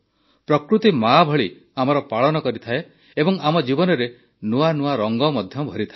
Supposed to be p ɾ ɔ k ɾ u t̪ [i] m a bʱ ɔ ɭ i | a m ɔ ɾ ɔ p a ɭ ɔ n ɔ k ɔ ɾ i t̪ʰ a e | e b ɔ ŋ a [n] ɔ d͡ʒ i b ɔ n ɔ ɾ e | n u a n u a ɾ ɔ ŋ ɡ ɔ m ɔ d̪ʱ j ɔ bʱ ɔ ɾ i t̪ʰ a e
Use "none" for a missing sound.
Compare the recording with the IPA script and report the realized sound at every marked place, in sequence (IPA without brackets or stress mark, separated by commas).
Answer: i, m